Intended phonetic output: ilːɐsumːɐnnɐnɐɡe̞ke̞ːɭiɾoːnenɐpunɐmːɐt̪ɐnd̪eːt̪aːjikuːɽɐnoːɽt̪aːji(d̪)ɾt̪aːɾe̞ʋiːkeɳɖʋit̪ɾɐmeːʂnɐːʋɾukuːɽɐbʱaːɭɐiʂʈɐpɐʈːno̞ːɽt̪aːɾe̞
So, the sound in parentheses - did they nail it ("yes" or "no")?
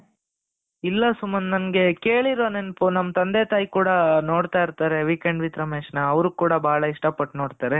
no